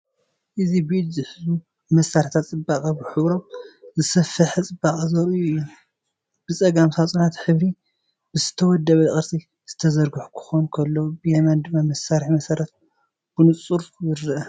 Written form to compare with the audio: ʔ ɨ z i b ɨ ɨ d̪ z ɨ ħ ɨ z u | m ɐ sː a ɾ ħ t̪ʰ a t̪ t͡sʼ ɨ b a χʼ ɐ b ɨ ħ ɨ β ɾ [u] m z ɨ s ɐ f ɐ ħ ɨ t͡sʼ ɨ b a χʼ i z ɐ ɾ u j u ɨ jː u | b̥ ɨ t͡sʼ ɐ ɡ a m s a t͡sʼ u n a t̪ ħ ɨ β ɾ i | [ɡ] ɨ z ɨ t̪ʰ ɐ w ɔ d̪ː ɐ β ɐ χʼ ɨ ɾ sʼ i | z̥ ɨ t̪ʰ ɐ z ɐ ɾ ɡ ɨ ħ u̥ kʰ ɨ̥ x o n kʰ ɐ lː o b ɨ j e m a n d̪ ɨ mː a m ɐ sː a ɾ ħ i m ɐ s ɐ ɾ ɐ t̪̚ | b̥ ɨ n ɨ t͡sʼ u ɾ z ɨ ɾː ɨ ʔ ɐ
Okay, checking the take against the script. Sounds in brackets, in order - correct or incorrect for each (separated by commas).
incorrect, incorrect